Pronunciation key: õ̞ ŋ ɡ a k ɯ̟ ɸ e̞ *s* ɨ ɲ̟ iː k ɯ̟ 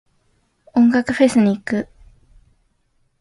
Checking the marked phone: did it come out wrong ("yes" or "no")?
no